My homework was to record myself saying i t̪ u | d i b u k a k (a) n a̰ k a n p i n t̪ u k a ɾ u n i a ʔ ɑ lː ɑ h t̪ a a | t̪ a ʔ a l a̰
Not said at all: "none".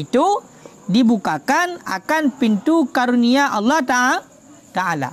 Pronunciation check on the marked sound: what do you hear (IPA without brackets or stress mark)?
a